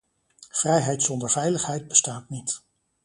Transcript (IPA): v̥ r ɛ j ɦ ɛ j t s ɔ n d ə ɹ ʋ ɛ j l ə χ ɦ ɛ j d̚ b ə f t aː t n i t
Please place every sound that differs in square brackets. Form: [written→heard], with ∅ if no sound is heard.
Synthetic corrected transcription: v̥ r ɛ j ɦ ɛ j t s ɔ n d ə ɹ [ʋ→v] ɛ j l ə χ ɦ ɛ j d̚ b ə [f→s] t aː t n i t